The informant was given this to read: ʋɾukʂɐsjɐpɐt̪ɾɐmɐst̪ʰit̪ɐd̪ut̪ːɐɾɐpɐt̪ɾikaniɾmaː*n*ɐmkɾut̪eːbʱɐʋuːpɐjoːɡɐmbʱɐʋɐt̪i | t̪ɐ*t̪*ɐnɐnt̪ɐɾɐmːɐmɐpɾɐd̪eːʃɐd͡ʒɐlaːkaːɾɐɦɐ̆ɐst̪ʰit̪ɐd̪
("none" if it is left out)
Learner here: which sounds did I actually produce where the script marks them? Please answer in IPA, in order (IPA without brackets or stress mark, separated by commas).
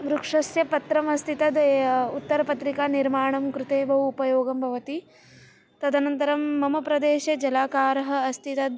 ɳ, d̪